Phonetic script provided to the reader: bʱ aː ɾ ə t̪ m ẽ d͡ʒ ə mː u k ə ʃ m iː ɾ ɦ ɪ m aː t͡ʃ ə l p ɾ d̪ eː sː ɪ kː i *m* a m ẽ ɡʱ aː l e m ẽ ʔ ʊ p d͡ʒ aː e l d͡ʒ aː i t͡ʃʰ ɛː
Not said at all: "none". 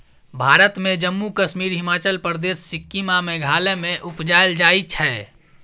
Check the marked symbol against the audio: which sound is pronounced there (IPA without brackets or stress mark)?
m